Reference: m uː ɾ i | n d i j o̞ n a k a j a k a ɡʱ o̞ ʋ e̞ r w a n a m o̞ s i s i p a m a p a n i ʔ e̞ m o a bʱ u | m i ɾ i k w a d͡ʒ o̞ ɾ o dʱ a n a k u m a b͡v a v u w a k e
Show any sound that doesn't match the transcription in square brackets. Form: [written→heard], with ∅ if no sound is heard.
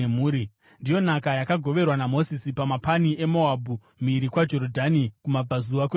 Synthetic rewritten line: m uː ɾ i | n d i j o̞ n a k a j a k a ɡʱ o̞ ʋ e̞ r w a n a m o̞ s i s i p a m a p a n i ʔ e̞ m o a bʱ u | m i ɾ i k w a d͡ʒ o̞ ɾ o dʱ a n [a→i] k u m a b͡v a [v→z] u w a k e